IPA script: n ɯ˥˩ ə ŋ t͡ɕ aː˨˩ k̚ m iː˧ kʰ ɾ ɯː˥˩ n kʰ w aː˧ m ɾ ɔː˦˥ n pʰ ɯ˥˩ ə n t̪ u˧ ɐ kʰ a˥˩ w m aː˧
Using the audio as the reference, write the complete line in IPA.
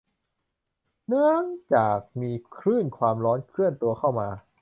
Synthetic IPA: n ɯ˥˩ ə ŋ t͡ɕ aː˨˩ k̚ m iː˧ kʰ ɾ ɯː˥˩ n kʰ w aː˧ m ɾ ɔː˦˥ n kʰ ɯ˥˩ ə n t̪ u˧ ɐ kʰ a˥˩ w m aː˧